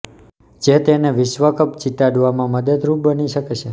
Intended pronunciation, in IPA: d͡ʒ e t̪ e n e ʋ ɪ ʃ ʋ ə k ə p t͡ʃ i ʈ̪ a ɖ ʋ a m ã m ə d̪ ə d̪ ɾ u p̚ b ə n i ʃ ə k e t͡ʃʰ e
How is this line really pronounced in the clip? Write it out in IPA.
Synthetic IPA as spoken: d͡ʒ e t̪ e n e ʋ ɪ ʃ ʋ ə k ə p t͡ʃ i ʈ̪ a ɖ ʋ a m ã m ə d̪ ə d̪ ɾ u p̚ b ə n i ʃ ə k e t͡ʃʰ e